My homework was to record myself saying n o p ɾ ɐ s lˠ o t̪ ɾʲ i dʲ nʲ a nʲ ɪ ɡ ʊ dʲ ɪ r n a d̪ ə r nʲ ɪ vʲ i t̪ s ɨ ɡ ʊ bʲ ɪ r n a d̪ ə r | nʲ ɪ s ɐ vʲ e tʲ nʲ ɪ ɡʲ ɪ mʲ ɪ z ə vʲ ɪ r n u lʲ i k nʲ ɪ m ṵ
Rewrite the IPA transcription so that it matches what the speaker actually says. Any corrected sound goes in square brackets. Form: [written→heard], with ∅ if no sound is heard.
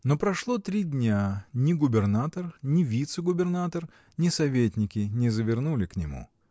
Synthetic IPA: n o p ɾ ɐ [s→ʂ] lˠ o t̪ ɾʲ i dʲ nʲ a nʲ ɪ ɡ ʊ [dʲ→bʲ] ɪ r n a [d̪→t̪] ə r nʲ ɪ vʲ i t̪ s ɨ ɡ ʊ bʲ ɪ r n a [d̪→t̪] ə r | nʲ ɪ s ɐ vʲ e tʲ nʲ ɪ [ɡʲ→kʲ] ɪ [mʲ→nʲ] ɪ z ə vʲ ɪ r n u lʲ [i→ɪ] k nʲ ɪ m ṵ